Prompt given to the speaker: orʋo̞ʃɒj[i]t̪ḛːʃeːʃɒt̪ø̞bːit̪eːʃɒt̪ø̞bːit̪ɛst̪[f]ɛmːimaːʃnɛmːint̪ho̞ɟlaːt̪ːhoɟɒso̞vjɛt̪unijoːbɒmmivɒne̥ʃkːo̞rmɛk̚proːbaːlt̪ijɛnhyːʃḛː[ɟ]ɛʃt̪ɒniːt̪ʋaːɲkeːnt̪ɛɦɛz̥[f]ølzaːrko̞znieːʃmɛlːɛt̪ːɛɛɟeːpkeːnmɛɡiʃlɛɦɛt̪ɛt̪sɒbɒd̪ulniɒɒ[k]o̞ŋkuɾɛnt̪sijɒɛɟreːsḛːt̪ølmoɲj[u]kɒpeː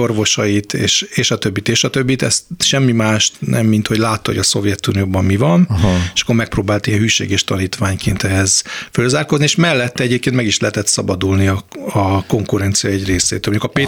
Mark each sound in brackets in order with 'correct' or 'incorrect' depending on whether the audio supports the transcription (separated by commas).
correct, incorrect, incorrect, correct, correct, correct